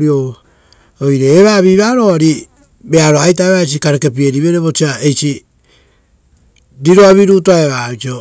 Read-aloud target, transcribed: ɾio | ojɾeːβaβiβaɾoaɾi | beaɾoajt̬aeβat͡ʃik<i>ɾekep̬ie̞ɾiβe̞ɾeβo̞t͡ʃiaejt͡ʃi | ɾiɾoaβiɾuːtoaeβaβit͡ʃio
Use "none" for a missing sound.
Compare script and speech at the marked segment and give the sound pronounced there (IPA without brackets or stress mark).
a